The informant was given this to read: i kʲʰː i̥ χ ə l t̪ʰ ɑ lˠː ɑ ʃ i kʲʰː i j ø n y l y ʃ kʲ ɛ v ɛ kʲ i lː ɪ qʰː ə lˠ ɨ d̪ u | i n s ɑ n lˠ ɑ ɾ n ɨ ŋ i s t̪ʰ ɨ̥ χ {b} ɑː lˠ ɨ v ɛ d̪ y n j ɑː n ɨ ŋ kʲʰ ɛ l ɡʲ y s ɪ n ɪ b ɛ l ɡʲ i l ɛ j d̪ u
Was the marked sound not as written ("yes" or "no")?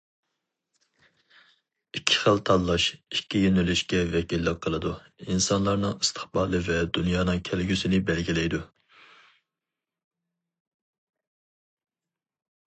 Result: no